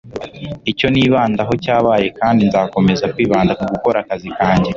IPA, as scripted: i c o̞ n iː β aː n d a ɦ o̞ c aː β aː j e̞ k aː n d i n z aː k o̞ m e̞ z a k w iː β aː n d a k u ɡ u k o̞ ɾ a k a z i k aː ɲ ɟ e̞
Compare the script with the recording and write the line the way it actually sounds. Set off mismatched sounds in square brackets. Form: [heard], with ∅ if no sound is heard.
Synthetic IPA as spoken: i c o̞ n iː β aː n d a ɦ o̞ c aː β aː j e̞ k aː n d i n z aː k o̞ m e̞ z a k w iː β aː n d a k u ɡ u k o̞ ɾ a k a z i k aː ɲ ɟ e̞